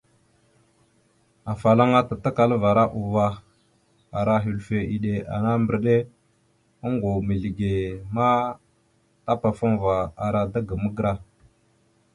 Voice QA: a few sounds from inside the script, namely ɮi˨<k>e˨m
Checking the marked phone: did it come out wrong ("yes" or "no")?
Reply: yes